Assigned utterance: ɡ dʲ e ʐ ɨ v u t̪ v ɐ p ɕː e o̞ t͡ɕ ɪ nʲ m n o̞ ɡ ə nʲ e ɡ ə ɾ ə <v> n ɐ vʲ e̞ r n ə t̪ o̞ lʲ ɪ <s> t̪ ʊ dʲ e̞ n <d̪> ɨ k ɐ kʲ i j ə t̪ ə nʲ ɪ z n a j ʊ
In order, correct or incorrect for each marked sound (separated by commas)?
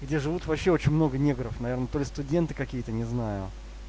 incorrect, correct, incorrect